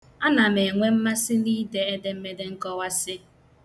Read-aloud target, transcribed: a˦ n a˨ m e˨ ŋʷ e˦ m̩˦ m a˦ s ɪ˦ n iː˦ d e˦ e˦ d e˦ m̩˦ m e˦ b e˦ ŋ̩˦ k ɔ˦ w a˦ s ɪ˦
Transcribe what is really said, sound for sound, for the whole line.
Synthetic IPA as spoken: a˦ n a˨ m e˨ ŋʷ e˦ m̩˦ m a˦ s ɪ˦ n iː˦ d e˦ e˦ d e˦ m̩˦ m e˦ d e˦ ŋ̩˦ k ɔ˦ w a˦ s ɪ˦

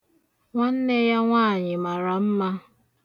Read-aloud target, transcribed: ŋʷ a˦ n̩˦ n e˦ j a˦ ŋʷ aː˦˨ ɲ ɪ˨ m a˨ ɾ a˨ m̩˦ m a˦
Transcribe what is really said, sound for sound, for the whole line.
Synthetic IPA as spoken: ŋʷ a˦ n̩˦ n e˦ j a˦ ŋʷ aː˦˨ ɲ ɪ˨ m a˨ ɾ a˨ m̩˦ m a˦

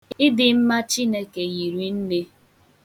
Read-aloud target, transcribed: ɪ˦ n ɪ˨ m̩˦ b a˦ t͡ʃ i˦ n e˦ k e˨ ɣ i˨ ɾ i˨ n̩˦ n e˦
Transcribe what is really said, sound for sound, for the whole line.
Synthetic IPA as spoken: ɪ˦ d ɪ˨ m̩˦ m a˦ t͡ʃ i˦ n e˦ k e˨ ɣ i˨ ɾ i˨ n̩˦ n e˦

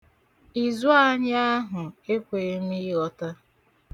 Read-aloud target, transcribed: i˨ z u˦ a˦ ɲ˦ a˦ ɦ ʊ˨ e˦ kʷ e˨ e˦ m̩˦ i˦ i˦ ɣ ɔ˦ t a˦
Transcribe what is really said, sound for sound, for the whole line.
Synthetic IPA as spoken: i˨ z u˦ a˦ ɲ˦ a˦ ɦ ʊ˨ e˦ kʷ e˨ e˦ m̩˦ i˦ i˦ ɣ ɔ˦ t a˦

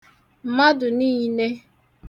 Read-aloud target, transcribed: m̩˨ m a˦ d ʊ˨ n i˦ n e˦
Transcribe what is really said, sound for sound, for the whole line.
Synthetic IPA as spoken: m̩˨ m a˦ d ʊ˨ n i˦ n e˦

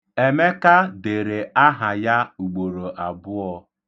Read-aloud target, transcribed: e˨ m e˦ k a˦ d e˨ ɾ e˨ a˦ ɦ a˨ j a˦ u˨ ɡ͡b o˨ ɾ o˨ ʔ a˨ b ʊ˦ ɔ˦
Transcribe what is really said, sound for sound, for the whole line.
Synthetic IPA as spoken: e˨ m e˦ k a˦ d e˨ ɾ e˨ a˦ ɦ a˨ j a˦ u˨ ɡ͡b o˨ ɾ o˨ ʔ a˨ b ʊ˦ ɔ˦

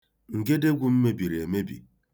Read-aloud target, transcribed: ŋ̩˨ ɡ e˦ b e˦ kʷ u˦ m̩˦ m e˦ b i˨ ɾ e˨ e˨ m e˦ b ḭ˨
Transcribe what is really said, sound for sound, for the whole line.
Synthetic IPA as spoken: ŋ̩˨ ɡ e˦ d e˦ ɡʷ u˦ m̩˦ m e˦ b i˨ ɾ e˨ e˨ m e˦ b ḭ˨

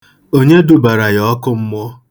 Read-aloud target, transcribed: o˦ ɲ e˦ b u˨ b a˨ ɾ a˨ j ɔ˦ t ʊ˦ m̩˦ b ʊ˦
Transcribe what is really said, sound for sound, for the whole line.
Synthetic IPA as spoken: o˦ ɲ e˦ d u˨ b a˨ ɾ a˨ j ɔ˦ k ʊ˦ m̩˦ m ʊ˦

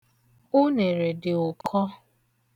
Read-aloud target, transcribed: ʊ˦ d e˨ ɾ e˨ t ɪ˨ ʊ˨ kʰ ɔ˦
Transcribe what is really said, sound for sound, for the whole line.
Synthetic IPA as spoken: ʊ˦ n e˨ ɾ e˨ d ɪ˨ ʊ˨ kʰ ɔ˦

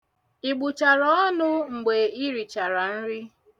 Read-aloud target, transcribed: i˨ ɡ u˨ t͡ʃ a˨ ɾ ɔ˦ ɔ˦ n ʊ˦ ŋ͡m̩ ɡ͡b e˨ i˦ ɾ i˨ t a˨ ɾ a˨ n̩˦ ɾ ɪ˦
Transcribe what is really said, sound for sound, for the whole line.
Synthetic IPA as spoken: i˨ ɡ͡b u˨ t͡ʃ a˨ ɾ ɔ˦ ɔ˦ n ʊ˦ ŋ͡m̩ ɡ͡b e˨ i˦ ɾ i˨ t͡ʃ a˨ ɾ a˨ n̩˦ ɾ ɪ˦

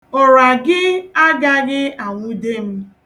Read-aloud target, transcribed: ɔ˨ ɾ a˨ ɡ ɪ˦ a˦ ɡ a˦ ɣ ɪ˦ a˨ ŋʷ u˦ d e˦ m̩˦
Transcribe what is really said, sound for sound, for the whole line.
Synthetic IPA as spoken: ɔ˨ ɾ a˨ ɡ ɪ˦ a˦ ɡ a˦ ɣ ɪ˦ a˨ ŋʷ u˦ d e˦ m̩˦

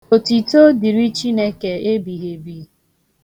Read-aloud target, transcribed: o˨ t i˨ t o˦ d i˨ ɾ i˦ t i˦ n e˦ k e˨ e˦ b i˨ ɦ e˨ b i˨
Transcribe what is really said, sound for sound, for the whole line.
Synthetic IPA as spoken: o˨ t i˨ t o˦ d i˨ ɾ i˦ t͡ʃ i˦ n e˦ k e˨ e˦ b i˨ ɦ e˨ b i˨

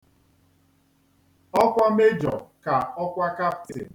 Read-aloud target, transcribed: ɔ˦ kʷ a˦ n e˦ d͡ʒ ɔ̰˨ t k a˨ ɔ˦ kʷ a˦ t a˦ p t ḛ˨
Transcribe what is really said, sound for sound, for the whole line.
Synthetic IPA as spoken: ɔ˦ kʷ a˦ m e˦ d͡ʒ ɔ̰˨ k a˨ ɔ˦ kʷ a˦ k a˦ p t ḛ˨

